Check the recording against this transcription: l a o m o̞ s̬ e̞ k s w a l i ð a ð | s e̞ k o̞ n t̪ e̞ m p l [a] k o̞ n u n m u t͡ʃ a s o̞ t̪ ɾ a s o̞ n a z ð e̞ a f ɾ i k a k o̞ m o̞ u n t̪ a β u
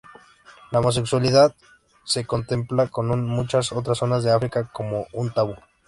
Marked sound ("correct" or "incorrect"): correct